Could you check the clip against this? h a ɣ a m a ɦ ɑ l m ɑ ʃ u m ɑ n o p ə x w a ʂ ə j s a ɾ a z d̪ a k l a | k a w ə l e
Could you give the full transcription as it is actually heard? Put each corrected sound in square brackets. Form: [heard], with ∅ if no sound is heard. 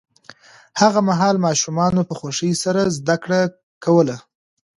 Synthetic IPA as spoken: h a ɣ a m a ɦ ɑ l m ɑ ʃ u m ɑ n o p ə x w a ʂ ə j s a ɾ a z d̪ a k [ɽ] a | k a w ə l [a]